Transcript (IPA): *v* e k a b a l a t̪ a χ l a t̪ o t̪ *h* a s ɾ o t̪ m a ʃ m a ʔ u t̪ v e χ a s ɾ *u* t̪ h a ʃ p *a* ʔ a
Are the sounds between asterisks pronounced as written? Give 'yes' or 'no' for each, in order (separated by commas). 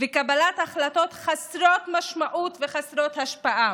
yes, no, no, yes